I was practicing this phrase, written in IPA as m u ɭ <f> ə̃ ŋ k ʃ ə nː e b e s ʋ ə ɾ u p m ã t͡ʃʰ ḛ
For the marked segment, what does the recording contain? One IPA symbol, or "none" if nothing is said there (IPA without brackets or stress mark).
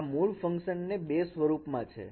f